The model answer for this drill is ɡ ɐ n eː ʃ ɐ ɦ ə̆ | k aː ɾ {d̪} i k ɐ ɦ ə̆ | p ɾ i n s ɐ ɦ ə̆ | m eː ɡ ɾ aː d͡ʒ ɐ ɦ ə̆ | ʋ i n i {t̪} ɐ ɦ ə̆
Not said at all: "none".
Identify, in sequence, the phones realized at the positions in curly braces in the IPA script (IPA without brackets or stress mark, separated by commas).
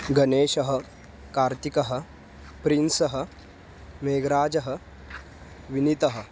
t̪, t̪